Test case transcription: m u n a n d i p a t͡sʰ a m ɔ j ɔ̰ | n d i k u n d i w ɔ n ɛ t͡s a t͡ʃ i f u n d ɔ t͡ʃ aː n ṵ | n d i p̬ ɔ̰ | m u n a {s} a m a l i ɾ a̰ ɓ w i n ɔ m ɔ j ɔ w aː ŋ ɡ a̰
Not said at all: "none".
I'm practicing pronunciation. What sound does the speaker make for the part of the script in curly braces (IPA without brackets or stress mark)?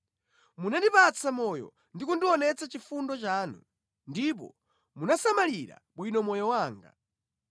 s